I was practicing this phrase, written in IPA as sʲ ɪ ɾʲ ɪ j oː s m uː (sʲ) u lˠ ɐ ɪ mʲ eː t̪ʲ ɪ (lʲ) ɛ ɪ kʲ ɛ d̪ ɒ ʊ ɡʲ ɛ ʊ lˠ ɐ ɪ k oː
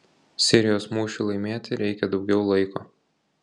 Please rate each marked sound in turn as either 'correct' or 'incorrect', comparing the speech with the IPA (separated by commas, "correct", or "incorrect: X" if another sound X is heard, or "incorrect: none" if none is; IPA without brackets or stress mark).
incorrect: ʃʲ, incorrect: ɾʲ